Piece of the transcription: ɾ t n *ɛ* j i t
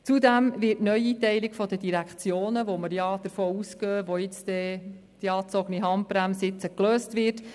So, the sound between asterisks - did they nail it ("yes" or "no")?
no